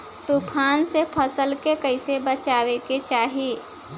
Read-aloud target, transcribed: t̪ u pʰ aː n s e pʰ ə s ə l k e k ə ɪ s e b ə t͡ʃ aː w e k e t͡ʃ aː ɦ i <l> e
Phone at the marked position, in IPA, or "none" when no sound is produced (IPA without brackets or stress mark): none